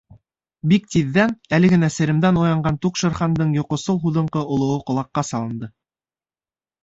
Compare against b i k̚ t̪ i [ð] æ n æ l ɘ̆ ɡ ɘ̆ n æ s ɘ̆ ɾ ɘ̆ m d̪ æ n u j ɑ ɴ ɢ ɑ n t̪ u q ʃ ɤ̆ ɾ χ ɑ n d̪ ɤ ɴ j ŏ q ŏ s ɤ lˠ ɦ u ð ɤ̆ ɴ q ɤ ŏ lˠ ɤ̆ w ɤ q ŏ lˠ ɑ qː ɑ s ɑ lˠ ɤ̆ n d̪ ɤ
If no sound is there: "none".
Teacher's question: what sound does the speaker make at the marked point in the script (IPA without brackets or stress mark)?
ðː